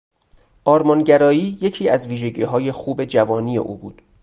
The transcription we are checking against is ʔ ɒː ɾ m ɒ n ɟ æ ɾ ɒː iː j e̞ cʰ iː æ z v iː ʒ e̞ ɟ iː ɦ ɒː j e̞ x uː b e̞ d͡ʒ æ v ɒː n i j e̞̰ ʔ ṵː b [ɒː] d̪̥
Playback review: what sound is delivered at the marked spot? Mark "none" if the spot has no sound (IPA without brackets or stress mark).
uː